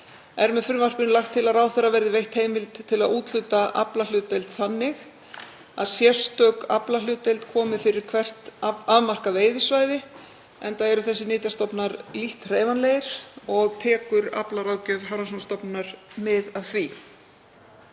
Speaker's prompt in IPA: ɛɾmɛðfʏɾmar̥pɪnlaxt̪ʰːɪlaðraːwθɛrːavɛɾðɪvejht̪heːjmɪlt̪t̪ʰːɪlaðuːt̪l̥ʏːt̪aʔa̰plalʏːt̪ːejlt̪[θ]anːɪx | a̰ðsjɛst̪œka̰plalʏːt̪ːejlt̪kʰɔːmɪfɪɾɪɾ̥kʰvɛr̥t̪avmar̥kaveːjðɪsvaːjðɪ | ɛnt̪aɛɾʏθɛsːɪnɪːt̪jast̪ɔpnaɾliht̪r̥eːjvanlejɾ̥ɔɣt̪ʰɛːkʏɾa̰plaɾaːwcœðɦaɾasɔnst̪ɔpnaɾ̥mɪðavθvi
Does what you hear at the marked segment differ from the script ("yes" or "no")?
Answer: no